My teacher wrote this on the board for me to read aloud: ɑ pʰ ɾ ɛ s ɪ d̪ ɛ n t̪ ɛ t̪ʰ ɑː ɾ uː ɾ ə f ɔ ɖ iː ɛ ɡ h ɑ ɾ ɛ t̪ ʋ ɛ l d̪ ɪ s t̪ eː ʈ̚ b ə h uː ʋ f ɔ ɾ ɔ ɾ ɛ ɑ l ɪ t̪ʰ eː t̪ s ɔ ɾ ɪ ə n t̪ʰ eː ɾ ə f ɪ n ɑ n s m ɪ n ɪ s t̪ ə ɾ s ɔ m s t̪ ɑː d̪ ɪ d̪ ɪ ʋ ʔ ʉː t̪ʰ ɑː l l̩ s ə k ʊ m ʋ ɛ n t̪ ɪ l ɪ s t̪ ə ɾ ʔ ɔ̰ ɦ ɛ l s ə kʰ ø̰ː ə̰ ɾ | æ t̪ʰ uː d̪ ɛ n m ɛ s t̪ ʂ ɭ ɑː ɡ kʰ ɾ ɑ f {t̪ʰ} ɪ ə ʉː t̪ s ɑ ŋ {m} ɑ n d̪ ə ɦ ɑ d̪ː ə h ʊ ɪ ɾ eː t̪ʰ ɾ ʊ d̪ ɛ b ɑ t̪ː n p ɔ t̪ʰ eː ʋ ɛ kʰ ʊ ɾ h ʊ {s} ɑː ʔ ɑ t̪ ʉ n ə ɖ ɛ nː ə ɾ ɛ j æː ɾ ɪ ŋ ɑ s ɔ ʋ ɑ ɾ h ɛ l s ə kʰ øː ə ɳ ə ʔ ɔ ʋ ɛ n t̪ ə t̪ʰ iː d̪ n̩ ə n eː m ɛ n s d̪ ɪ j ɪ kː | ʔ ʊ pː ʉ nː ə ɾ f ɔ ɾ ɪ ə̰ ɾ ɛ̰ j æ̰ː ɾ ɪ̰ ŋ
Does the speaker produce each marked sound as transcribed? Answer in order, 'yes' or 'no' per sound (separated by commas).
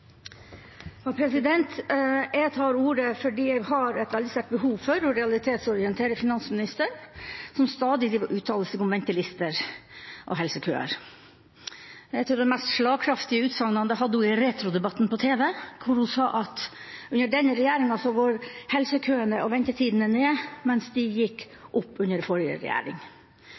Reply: no, no, yes